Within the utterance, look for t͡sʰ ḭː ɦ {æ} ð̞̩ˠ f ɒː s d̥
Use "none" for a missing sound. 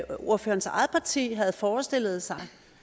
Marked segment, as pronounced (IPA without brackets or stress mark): æ